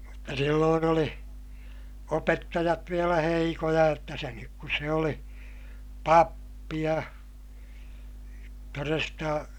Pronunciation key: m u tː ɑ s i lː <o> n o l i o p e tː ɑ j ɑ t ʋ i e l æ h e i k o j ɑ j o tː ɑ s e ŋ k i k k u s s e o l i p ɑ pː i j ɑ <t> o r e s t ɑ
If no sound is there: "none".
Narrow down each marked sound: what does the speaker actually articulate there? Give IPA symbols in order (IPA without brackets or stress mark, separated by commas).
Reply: oː, t